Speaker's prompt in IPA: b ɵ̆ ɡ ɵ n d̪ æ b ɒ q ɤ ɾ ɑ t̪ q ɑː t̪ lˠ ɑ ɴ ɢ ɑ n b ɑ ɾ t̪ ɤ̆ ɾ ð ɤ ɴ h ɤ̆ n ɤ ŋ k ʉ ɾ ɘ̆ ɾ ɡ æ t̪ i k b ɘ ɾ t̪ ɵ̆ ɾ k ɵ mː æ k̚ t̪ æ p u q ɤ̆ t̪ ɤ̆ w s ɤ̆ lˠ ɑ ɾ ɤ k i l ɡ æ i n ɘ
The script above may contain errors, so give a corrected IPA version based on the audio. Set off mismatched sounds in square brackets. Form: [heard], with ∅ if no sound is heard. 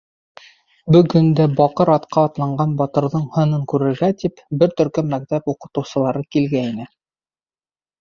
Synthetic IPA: b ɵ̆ ɡ ɵ n d̪ æ b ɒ q ɤ ɾ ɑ t̪ q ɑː t̪ lˠ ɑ ɴ ɢ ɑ n b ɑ [∅] t̪ ɤ̆ ɾ ð ɤ ɴ h ɤ̆ n ɤ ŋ k ʉ ɾ ɘ̆ ɾ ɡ æ t̪ i [p] b ɘ ɾ t̪ ɵ̆ ɾ k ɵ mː æ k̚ t̪ æ p u q ɤ̆ t̪ ɤ̆ w s ɤ̆ lˠ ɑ ɾ ɤ k i l ɡ æ i n ɘ